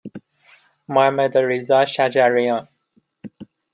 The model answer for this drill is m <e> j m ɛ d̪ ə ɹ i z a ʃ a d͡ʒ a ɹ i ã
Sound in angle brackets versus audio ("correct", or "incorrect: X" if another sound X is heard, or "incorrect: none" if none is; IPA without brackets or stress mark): incorrect: a